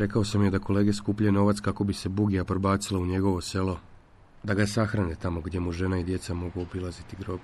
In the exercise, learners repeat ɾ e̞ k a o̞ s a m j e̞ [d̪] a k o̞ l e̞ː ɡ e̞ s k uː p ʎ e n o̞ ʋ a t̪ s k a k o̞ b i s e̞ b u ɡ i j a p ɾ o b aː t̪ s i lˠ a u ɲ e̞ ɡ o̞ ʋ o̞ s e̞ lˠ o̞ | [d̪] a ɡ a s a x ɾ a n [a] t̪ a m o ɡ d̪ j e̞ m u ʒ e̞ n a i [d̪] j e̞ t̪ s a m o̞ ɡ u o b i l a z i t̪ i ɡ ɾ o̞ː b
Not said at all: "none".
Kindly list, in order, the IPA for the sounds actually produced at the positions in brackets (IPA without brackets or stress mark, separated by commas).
d̪, d̪, e, d̪